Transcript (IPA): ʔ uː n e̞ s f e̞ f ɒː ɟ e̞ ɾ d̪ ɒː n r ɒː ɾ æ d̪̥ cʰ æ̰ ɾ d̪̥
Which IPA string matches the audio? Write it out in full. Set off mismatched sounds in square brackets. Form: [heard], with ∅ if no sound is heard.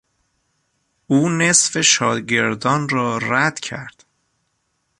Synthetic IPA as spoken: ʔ uː n e̞ s f e̞ [ʃ] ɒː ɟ e̞ ɾ d̪ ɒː n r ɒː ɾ æ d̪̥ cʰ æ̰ ɾ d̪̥